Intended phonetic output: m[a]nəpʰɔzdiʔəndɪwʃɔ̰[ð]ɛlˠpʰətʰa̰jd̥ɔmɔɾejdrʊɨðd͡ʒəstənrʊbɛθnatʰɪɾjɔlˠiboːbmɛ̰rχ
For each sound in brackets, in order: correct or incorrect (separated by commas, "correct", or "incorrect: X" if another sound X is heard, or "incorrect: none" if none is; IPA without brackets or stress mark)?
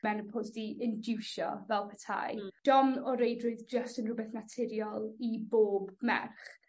incorrect: ɛ, incorrect: v